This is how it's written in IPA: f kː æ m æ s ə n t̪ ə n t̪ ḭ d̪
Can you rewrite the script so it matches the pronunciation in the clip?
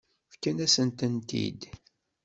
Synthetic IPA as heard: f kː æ n æ s ə n t̪ ə n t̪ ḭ d̪